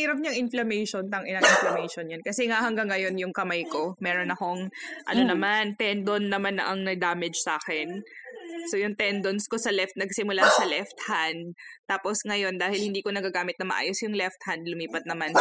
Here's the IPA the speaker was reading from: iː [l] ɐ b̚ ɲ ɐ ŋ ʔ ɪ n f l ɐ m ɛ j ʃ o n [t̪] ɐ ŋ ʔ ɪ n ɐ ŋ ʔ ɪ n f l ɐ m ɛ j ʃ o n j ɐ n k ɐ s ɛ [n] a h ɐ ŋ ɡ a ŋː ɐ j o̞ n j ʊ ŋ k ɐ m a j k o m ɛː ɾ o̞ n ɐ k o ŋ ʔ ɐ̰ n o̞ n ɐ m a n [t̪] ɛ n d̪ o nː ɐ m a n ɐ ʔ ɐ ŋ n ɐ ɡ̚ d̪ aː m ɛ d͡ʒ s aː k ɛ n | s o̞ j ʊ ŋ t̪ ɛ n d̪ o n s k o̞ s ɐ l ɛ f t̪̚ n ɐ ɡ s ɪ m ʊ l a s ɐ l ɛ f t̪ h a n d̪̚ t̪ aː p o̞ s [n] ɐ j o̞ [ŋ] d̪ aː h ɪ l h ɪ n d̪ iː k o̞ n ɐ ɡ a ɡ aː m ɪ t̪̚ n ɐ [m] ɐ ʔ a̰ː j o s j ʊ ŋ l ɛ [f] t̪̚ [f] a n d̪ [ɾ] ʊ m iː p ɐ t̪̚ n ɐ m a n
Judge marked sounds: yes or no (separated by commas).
no, yes, no, yes, no, no, yes, yes, no, no